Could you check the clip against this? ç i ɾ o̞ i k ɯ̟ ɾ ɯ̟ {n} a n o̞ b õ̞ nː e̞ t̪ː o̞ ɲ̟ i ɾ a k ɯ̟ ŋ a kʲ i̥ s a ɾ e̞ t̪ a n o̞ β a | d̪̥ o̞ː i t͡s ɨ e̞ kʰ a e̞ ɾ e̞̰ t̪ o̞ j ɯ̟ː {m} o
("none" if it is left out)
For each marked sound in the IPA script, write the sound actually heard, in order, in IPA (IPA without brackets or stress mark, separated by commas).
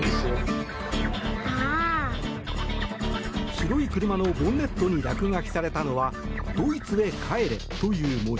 m, m